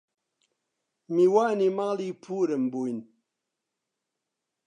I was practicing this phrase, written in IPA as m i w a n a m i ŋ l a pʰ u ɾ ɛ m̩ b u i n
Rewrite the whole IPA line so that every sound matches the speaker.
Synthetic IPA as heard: m i w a n i m a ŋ l i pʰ u ɾ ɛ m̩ b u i n